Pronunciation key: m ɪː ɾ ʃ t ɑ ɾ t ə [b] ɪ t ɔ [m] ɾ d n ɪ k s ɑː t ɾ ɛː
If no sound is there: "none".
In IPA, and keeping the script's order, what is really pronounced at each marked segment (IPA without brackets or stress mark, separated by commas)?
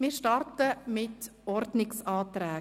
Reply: m, none